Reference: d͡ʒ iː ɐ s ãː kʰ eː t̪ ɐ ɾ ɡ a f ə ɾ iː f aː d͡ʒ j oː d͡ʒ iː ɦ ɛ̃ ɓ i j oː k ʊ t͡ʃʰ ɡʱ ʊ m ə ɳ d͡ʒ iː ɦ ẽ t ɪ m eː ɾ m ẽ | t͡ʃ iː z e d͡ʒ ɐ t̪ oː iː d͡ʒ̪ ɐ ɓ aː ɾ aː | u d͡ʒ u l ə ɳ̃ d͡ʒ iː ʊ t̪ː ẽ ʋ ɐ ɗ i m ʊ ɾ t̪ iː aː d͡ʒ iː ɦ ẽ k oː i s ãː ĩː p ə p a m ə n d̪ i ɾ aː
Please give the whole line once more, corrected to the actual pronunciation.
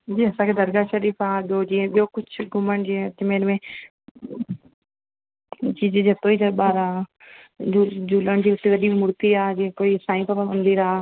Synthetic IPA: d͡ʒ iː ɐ s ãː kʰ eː d̪ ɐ ɾ ɡ a ʃ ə ɾ iː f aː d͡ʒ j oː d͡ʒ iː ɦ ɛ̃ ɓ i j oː k ʊ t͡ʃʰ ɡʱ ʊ m ə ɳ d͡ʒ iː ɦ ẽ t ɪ m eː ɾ m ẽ | t͡ʃ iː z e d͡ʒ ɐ t̪ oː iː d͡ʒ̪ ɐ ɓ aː ɾ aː | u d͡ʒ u l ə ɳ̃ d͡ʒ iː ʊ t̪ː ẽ ʋ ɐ ɗ i m ʊ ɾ t̪ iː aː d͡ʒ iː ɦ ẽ k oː i s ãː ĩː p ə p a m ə n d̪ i ɾ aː